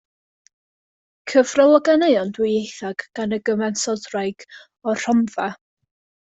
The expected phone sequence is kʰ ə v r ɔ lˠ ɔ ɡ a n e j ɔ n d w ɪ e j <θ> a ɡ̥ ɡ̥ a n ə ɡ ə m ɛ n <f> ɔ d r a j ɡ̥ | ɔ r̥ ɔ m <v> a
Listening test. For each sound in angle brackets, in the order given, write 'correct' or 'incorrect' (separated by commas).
correct, incorrect, correct